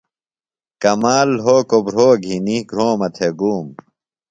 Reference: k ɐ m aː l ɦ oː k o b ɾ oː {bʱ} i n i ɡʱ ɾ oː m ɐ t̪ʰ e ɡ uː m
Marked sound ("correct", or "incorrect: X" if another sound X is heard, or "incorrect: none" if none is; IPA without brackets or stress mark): incorrect: ɡʱ